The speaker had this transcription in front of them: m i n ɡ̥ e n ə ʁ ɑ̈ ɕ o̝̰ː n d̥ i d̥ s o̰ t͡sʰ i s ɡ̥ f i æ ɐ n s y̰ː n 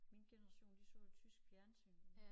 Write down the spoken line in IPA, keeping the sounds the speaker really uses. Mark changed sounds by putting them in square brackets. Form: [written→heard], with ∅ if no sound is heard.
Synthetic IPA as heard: m i n ɡ̥ e n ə ʁ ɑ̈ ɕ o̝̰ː n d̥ i [d̥→∅] s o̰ t͡sʰ [i→y] s ɡ̥ f [i→j] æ ɐ n s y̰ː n